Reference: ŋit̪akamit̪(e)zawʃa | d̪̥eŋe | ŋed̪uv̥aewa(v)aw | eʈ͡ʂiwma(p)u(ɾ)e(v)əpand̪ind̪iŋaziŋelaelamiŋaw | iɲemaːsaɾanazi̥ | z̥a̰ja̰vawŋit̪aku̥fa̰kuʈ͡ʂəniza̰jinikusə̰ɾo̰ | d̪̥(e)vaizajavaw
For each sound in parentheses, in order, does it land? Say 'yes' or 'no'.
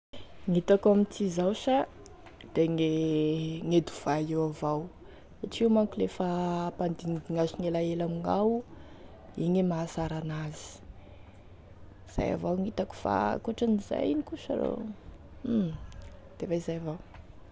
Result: no, yes, no, no, no, yes

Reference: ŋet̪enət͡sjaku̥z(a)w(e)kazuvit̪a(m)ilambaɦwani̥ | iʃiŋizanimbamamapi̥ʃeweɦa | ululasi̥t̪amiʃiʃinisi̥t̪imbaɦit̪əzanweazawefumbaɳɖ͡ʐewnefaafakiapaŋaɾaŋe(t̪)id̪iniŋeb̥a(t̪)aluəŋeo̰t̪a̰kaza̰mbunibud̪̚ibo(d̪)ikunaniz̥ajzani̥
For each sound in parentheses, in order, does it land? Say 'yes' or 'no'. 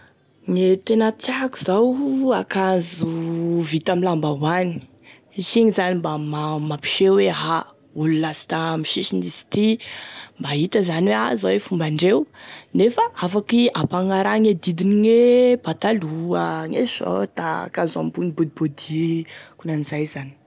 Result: yes, no, yes, no, yes, yes

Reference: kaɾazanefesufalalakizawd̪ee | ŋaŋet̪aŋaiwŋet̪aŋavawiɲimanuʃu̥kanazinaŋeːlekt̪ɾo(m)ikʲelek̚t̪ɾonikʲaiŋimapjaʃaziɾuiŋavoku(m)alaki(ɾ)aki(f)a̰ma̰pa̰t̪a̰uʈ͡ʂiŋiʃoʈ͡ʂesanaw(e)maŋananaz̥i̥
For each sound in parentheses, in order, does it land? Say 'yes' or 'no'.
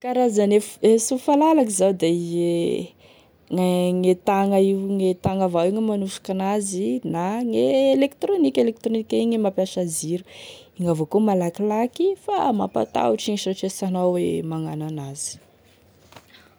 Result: no, yes, no, yes, yes

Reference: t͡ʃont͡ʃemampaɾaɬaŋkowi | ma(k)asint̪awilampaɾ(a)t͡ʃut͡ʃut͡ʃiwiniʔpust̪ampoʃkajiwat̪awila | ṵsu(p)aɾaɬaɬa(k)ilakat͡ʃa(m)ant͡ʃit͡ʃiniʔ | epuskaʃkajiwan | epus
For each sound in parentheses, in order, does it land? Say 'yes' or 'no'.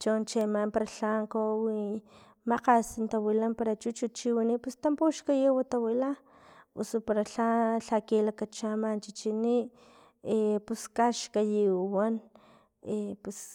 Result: no, yes, yes, yes, yes

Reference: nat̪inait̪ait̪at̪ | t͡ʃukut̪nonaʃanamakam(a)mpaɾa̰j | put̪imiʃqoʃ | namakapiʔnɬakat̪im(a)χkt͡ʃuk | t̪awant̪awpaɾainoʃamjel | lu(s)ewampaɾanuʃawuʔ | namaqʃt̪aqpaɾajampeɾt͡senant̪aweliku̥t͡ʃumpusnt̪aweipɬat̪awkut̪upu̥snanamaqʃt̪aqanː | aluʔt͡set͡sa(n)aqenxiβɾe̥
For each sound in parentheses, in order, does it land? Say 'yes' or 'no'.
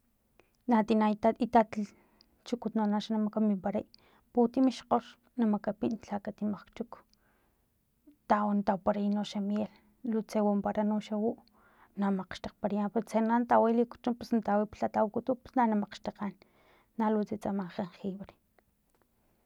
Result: no, yes, no, no

